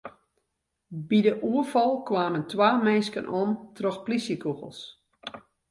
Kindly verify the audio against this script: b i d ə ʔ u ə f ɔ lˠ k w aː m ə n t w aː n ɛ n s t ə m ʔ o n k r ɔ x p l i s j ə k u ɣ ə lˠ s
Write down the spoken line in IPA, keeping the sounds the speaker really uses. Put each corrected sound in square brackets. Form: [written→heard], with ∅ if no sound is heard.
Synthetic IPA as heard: b i d ə ʔ u ə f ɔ lˠ k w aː m ə n t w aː [n→m] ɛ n s [t→k] ə [m→n] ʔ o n [k→t] r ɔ x p l i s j ə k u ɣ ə lˠ s